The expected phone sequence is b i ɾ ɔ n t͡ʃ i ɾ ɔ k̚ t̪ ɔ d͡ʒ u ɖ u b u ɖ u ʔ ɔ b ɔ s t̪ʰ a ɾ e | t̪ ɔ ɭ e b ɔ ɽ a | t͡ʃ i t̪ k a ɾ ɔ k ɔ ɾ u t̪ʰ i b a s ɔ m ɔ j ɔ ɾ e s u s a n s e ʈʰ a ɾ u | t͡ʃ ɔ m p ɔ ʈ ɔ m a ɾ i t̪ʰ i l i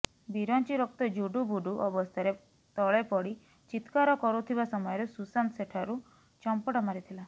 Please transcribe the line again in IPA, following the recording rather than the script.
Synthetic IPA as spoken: b i ɾ ɔ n t͡ʃ i ɾ ɔ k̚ t̪ ɔ d͡ʒ u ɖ u b u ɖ u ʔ ɔ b ɔ s t̪ʰ a ɾ e | t̪ ɔ ɭ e p ɔ ɽ i | t͡ʃ i t̪ k a ɾ ɔ k ɔ ɾ u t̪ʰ i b a s ɔ m ɔ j ɔ ɾ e s u s a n s e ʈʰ a ɾ u | t͡ʃ ɔ m p ɔ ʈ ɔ m a ɾ i t̪ʰ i l a